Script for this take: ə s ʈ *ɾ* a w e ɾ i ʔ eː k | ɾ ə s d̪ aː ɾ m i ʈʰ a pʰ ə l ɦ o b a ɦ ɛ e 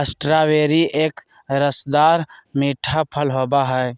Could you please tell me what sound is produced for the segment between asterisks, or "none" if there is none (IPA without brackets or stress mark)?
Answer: ɾ